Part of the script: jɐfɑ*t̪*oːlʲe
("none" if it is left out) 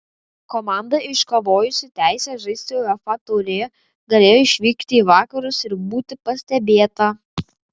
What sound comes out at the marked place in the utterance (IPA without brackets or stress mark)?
t̪